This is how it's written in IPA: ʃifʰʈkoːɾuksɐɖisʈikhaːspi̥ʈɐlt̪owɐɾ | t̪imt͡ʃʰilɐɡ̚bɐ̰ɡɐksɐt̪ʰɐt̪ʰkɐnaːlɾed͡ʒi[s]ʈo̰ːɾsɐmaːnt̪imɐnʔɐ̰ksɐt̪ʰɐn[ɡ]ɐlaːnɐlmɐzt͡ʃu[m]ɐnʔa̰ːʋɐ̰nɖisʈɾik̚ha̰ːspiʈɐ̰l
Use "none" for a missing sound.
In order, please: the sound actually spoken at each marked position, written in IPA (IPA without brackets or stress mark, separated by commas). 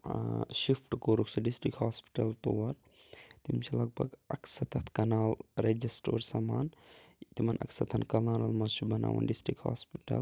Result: s, k, b